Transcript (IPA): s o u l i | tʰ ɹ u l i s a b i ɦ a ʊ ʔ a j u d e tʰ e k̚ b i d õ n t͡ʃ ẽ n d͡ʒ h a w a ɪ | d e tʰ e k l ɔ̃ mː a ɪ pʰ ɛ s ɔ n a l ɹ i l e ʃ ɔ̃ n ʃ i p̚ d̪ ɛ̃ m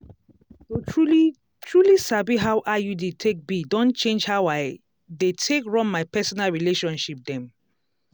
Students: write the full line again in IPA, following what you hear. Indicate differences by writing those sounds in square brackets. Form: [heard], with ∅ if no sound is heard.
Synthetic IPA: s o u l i | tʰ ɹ u l i s a b i ɦ a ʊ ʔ a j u d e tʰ e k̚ b i d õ n t͡ʃ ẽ n d͡ʒ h a w a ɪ | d e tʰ e k [ɹ] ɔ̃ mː a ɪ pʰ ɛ s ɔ n a l ɹ i l e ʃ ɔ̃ n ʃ i p̚ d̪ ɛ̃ m